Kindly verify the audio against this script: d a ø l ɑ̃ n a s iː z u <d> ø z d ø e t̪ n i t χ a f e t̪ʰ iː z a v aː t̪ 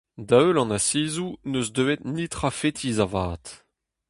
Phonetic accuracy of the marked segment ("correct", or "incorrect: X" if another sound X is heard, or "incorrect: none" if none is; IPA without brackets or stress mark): incorrect: n